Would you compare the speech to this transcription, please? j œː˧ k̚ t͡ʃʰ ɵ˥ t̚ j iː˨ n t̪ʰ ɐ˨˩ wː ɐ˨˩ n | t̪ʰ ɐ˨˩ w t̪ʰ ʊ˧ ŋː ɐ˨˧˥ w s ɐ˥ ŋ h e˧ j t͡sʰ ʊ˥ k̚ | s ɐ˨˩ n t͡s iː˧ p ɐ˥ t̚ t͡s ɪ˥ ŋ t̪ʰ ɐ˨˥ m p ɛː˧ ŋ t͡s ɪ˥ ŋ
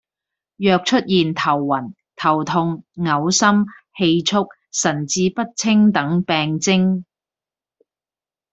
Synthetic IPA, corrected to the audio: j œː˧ k̚ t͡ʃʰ ɵ˥ t̚ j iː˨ n t̪ʰ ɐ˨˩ wː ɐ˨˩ n | t̪ʰ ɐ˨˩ w t̪ʰ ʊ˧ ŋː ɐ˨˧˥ w s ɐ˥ m h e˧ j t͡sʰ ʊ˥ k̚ | s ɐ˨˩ n t͡s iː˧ p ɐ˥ t̚ t͡sʰ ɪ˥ ŋ t̪ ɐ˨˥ ŋ p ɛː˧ ŋ t͡s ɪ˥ ŋ